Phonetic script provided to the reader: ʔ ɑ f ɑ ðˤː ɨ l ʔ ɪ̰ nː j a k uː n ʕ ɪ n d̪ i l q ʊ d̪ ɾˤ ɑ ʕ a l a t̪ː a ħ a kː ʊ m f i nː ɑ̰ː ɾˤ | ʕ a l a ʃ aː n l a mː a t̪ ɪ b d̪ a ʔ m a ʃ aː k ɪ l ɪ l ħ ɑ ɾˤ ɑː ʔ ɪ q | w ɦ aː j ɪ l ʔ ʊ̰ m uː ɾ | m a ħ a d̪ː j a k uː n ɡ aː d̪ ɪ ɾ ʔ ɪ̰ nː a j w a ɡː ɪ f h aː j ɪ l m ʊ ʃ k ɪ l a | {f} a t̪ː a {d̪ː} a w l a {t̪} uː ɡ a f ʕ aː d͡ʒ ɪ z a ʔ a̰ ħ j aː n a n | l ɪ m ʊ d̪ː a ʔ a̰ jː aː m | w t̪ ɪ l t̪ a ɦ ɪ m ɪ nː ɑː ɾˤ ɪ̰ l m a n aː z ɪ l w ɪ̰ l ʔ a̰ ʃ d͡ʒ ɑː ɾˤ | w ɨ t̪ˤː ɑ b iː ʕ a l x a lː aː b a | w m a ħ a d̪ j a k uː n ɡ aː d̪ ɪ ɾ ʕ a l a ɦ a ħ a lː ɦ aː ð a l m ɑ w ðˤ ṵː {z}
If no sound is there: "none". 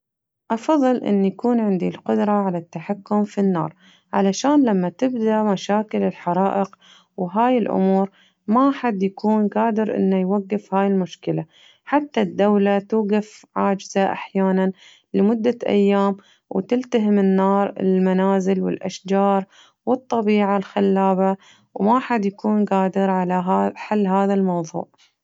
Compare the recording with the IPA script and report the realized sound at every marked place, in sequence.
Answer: ħ, d̪ː, t̪, ʕ

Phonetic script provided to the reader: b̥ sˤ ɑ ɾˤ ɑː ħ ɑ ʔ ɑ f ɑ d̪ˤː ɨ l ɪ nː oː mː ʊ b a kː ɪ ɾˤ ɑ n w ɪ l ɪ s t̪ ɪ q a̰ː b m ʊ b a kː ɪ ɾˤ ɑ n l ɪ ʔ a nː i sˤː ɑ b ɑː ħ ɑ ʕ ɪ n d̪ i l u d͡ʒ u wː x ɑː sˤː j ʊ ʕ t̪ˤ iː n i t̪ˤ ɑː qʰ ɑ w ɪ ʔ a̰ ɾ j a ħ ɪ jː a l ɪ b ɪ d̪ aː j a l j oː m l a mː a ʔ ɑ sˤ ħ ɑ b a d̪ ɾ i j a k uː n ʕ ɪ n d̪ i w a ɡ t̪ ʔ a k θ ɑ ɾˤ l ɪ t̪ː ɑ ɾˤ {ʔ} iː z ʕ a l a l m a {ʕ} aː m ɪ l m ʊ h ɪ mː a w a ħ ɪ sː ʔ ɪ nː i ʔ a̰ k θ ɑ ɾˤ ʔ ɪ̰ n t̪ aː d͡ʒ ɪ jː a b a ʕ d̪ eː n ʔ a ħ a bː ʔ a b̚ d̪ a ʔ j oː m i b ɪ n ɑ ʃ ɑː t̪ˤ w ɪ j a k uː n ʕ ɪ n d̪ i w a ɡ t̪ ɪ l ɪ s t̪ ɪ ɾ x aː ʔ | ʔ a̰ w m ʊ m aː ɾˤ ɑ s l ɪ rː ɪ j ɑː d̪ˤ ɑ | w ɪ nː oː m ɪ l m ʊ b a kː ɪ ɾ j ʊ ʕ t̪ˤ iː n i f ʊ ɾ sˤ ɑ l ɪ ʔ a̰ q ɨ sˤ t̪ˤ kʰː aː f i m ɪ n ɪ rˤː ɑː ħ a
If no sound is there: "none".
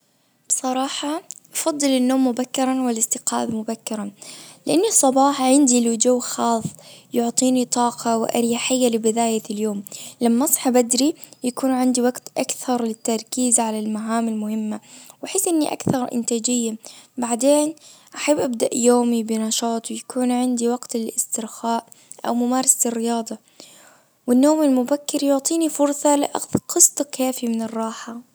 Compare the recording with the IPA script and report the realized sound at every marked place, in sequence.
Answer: k, ʕ

